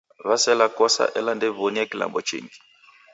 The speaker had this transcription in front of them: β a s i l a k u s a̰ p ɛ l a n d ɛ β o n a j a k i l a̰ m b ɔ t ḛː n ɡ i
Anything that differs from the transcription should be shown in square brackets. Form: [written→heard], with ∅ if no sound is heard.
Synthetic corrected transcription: β a s [i→ɛ] l a k [u→ɔ] s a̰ [p→ʔ] ɛ l a n d ɛ β o n [a→i] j a k i l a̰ m b ɔ [t→t͡ʃ] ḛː [n→ŋ] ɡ i